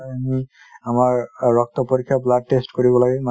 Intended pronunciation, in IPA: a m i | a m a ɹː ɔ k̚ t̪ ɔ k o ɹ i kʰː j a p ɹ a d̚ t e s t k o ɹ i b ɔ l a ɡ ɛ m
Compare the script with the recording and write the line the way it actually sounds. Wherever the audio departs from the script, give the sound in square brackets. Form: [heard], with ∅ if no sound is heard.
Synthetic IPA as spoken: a m i | a m a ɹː ɔ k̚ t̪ ɔ [p] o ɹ i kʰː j a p [l] a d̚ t e s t k o ɹ i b ɔ l a ɡ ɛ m

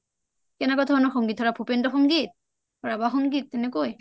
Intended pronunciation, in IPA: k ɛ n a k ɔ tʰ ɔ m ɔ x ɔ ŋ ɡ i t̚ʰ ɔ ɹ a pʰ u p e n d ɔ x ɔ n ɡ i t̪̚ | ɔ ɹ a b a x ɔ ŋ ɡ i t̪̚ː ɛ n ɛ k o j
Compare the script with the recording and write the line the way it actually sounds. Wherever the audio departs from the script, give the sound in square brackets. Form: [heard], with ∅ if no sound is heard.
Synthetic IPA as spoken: k ɛ n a k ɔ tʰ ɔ [n] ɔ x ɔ ŋ ɡ i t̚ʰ ɔ ɹ a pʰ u p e n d ɔ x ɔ [ŋ] ɡ i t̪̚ | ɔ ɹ a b a x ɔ ŋ ɡ i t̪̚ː ɛ n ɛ k o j

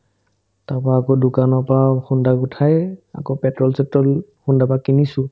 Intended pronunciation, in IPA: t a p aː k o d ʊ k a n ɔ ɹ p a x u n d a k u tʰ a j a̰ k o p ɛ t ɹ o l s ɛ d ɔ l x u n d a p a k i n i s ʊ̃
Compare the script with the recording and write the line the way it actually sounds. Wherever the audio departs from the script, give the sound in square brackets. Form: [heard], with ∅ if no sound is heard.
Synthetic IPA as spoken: t a p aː k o d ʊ k a n ɔ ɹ p a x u n d a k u tʰ a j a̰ k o p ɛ t ɹ [ɔ] l s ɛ [t] ɔ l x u n d a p a k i n i s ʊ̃

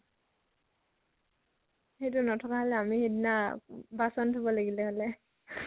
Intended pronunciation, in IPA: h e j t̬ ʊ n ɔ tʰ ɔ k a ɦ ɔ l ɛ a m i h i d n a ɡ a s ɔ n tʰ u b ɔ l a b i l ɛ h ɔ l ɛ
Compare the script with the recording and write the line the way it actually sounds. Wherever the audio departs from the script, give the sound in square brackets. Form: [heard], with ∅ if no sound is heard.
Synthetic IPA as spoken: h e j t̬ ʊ n ɔ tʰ ɔ k a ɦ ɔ l ɛ a m i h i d n a [b] a s ɔ n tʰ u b ɔ l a [ɡ] i l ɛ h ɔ l ɛ

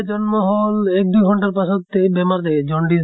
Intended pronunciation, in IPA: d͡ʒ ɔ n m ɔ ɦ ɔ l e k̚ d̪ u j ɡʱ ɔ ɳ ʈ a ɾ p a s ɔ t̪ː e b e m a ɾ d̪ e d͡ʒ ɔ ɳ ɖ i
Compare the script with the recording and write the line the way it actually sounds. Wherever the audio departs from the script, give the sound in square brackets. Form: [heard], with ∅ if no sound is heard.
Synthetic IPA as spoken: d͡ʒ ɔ n m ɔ ɦ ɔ l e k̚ d̪ u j ɡʱ ɔ ɳ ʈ a ɾ p a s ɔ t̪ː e b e m a ɾ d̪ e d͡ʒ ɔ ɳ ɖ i

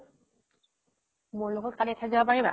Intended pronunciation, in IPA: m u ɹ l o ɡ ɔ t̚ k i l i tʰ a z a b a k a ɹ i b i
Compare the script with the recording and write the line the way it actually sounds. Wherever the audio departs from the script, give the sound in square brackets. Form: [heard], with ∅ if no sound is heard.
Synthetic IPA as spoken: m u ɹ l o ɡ ɔ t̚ k [a] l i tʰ a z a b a [p] a ɹ i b [a]

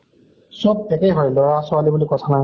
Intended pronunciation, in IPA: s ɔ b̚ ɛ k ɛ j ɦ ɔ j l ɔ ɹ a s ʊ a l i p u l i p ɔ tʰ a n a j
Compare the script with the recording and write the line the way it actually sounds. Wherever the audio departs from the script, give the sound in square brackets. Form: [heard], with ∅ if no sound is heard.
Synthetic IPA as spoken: s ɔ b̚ ɛ k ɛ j ɦ ɔ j l ɔ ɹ a s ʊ a l i [b] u l i [k] ɔ tʰ a n a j

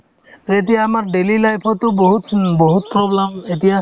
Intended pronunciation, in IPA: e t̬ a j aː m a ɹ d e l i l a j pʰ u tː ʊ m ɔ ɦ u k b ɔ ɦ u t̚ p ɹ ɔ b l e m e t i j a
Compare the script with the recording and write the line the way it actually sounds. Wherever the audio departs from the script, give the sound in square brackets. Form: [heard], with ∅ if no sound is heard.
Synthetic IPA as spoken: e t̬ [i] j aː m a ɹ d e l i l a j pʰ [ɔ] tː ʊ [b] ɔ ɦ u [t] b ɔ ɦ u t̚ p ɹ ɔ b l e m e t i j a

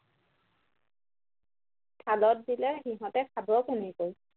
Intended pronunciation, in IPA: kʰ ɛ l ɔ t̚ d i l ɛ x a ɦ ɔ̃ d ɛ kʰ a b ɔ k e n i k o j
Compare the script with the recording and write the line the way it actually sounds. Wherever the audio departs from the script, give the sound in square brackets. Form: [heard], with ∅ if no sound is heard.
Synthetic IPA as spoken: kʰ [a] l ɔ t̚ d i l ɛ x [i] ɦ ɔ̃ [t] ɛ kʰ a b ɔ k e n i k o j

